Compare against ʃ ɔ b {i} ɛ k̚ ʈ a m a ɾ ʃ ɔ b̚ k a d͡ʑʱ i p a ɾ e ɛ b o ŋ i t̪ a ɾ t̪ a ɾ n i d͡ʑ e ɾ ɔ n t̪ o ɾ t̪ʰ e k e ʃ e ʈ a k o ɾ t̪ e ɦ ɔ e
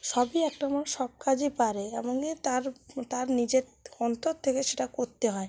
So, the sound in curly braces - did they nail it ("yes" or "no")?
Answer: yes